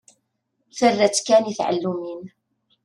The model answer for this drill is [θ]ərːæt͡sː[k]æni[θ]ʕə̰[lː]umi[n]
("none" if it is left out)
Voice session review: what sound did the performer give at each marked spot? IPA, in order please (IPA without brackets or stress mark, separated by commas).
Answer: θ, k, θ, lː, n